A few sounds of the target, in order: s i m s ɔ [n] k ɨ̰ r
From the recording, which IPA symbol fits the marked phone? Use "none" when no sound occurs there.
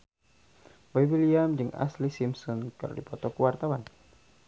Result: n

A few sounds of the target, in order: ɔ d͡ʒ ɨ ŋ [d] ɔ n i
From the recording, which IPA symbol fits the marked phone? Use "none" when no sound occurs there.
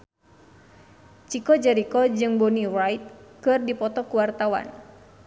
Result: b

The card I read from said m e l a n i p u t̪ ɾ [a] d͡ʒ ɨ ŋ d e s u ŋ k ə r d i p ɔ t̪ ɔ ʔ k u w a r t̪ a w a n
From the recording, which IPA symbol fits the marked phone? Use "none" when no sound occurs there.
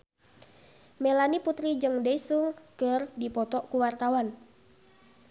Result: i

